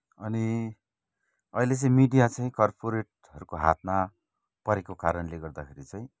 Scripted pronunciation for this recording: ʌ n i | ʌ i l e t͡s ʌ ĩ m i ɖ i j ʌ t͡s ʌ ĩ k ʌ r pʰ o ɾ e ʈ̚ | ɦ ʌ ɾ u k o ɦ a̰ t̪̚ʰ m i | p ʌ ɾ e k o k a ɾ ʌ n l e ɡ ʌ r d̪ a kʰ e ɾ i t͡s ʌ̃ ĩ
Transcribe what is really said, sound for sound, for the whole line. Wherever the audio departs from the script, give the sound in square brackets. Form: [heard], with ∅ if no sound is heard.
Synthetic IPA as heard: ʌ n i | ʌ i l e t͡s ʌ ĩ m i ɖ i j [a] t͡s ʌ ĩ k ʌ r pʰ o ɾ e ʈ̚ | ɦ ʌ ɾ u k o ɦ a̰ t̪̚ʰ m [a] | p ʌ ɾ e k o k a ɾ ʌ n l e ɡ ʌ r d̪ a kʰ e ɾ i t͡s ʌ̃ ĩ